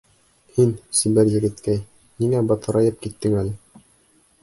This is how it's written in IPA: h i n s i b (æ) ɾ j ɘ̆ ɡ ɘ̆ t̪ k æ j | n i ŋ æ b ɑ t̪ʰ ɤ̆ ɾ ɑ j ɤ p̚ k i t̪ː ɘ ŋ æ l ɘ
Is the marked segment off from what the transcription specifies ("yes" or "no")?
no